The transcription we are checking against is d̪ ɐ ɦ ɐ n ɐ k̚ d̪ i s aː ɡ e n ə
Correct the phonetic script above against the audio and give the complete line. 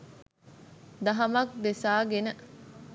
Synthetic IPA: d̪ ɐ ɦ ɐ m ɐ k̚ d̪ e s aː ɡ e n ə